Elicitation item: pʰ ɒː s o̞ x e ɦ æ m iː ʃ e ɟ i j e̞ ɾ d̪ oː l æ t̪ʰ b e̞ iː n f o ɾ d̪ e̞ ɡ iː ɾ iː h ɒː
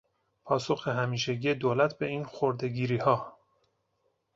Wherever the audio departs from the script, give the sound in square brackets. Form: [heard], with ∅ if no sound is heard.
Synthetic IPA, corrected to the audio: pʰ ɒː s o̞ x e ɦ æ m iː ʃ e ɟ i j e̞ [∅] d̪ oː l æ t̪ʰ b e̞ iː n [x] o ɾ d̪ e̞ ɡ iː ɾ iː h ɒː